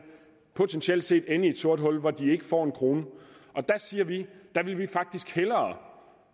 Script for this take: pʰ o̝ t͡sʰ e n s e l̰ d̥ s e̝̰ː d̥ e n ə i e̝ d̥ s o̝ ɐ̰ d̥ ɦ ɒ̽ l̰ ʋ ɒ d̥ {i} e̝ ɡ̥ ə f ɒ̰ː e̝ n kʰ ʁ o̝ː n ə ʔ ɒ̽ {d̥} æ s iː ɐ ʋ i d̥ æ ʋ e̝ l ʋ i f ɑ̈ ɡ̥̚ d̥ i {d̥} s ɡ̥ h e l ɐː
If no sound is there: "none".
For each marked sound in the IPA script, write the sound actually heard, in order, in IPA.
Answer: i, d̥, none

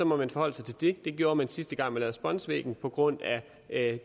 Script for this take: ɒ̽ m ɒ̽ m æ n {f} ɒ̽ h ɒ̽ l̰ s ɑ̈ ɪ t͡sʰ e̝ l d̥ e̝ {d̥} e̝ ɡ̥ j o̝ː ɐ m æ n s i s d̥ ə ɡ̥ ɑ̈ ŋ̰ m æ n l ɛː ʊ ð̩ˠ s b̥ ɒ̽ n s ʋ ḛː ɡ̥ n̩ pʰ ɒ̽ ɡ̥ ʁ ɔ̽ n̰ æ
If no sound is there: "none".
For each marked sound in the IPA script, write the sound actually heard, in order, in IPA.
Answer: f, d̥

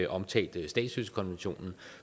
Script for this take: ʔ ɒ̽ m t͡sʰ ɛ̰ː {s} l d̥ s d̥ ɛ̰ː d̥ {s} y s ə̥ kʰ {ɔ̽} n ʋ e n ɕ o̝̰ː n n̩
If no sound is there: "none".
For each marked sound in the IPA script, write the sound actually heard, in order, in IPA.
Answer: none, s, ɒ̽

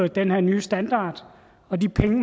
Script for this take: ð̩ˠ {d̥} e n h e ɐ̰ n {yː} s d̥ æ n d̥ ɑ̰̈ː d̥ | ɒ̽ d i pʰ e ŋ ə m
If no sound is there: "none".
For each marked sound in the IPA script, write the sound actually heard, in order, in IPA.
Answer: d̥, yː

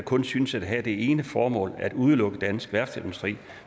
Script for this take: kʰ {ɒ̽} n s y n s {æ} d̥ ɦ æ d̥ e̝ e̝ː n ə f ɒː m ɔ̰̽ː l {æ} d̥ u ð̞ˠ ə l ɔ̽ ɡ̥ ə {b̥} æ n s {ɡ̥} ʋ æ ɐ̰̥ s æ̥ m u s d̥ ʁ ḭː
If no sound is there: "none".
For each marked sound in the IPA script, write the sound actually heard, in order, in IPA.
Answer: ɔ̽, æ, æ, d̥, ɡ̥

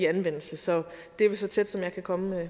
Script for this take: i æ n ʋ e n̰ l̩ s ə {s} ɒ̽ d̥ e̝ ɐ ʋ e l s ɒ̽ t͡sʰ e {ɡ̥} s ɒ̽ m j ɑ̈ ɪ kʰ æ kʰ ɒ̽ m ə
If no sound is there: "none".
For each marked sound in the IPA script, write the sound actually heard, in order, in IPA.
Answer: s, d̥

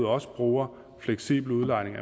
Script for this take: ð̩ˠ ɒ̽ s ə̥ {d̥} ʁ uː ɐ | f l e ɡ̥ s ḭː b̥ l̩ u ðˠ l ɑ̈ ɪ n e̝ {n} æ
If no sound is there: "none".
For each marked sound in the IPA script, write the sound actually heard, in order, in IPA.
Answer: b̥, ŋ

